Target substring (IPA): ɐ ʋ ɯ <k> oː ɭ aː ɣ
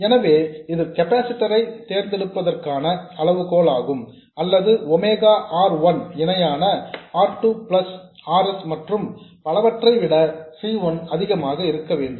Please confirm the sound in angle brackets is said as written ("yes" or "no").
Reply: yes